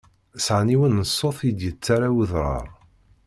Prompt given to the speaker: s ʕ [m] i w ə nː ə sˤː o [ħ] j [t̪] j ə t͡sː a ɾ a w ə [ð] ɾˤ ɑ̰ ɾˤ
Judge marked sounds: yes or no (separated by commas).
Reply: no, no, no, yes